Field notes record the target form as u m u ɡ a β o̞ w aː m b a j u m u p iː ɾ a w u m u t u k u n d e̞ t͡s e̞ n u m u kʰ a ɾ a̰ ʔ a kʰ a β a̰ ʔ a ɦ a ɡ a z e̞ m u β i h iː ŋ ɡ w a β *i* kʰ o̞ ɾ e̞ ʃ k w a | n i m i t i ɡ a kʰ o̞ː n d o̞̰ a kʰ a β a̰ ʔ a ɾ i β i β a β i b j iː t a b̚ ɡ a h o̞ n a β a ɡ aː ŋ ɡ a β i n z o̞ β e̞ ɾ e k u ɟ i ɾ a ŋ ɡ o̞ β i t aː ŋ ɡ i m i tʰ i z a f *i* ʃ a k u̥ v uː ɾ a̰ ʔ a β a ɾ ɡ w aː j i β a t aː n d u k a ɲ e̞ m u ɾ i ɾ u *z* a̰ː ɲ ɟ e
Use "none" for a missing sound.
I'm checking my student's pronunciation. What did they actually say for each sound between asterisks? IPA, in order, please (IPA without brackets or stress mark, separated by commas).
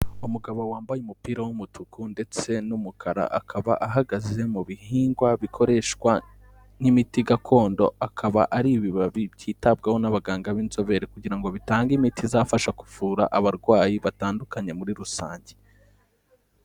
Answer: i, a, s